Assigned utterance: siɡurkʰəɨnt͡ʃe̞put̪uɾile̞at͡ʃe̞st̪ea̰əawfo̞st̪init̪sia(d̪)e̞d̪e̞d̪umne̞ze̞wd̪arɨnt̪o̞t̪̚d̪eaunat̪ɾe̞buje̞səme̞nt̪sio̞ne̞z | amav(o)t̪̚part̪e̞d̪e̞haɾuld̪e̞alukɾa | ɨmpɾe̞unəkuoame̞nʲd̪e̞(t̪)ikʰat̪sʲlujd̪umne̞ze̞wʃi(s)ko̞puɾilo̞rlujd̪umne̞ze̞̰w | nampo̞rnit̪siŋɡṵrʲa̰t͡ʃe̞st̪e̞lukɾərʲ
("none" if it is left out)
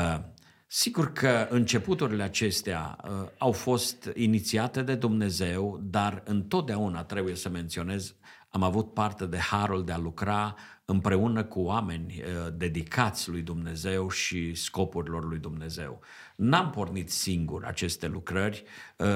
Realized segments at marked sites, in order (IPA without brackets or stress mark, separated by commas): t̪, u, d̪, s